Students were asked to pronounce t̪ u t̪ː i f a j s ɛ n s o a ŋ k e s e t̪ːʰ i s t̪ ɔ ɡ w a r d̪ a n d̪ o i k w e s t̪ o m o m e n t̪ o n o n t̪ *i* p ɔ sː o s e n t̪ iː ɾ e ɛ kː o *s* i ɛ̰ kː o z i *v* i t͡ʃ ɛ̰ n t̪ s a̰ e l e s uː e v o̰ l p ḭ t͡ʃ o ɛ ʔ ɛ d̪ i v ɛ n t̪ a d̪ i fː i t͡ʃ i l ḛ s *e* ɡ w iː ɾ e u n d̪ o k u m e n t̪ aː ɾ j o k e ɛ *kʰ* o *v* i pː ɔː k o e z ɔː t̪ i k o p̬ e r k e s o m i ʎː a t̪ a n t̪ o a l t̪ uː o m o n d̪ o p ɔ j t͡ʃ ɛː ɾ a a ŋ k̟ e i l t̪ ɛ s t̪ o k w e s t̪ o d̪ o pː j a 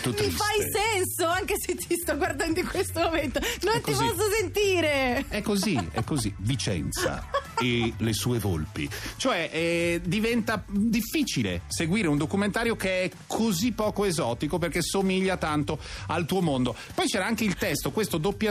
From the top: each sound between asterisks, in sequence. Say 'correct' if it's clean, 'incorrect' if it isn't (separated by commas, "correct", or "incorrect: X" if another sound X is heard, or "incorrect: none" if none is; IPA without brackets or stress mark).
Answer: correct, incorrect: z, correct, correct, correct, incorrect: z